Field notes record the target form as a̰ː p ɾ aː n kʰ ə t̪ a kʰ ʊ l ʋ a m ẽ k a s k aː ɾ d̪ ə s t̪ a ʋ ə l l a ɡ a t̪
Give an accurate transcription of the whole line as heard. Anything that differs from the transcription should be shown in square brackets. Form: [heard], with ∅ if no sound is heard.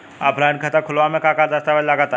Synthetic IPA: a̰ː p ɾ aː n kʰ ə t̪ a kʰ ʊ l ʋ a m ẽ k a [∅] k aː ɾ d̪ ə s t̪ a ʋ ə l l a ɡ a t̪